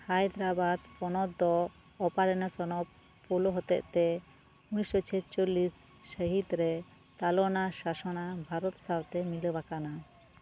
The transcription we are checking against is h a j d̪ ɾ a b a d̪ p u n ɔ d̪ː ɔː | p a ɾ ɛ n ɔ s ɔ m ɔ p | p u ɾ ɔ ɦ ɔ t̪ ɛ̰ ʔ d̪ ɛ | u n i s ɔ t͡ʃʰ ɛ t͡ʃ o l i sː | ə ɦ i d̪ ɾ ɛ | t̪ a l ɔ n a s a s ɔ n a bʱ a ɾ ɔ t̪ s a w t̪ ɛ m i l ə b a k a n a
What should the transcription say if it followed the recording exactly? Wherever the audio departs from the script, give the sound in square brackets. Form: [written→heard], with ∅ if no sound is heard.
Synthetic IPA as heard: h a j d̪ ɾ a b a d̪ p [u→ɔ] n ɔ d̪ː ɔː | p a ɾ ɛ n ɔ s ɔ [m→n] ɔ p | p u [ɾ→l] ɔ ɦ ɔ t̪ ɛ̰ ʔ [d̪→t̪] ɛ | u n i s ɔ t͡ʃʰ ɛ t͡ʃ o l i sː | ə ɦ i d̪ ɾ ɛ | t̪ a l ɔ n a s a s ɔ n a bʱ a ɾ ɔ t̪ s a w t̪ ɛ m i l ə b a k a n a